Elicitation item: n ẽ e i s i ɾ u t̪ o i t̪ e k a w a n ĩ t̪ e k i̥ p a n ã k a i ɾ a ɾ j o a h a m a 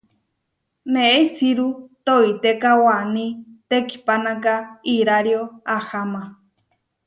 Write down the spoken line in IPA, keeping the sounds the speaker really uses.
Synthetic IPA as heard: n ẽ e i s i ɾ u t̪ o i t̪ e k a w a n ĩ t̪ e k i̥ p a n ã k a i ɾ a ɾ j o a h a m a